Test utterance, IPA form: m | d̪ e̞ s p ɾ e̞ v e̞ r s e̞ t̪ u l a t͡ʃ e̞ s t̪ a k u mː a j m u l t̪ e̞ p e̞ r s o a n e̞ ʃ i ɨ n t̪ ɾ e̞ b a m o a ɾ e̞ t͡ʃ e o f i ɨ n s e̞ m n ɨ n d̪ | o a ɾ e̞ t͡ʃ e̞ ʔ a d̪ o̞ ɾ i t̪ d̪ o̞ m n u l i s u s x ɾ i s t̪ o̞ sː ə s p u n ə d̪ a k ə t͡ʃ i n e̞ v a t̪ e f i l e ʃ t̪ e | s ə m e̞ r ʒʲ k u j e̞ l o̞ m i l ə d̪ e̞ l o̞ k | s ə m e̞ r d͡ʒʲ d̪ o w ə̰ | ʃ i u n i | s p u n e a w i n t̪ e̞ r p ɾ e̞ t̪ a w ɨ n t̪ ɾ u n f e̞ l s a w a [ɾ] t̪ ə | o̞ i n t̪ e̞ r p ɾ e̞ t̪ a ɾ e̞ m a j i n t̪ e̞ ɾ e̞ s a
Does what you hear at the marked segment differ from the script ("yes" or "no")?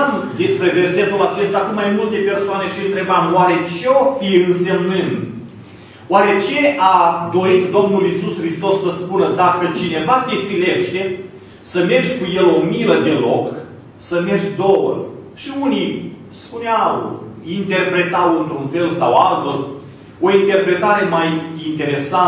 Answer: yes